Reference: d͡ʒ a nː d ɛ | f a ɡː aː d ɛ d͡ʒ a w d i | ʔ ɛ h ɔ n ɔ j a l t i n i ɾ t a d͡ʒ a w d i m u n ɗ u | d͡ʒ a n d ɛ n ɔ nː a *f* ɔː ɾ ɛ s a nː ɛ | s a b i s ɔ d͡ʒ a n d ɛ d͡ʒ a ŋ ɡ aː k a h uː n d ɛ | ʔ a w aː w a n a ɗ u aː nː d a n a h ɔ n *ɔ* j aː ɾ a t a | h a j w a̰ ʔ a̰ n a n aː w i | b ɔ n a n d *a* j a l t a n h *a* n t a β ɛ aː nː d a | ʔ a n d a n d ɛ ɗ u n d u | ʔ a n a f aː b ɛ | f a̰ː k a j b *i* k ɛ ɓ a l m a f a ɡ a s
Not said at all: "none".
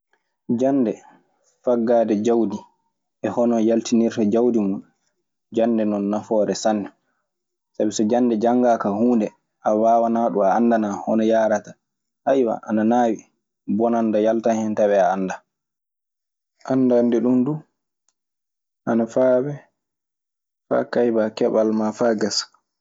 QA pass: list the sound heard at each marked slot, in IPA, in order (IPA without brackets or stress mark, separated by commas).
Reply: f, ɔ, a, ɛ, a